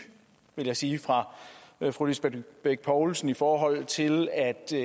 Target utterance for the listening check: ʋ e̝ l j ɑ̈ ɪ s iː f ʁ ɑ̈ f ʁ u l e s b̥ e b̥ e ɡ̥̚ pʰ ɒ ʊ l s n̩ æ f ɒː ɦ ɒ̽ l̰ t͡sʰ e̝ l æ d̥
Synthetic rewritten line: ʋ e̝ l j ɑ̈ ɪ s iː f ʁ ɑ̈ f ʁ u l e s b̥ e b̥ e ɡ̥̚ pʰ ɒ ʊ l s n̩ i f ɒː ɦ ɒ̽ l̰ t͡sʰ e̝ l æ d̥